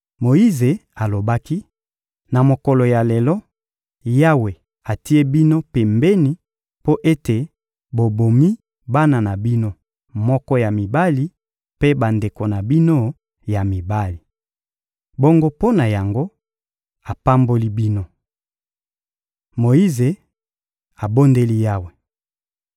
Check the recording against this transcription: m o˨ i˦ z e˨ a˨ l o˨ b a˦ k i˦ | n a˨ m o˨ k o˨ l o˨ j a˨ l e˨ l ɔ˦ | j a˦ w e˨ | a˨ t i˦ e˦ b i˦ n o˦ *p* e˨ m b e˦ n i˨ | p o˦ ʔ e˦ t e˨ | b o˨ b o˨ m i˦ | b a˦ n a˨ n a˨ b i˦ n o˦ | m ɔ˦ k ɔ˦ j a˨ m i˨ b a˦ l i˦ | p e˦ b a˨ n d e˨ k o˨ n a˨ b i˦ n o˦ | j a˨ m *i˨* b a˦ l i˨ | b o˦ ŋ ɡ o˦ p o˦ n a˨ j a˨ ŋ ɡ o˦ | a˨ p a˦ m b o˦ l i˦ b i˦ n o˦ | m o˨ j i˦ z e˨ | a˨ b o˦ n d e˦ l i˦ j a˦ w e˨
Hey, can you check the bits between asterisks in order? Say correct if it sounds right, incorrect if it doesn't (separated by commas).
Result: correct, correct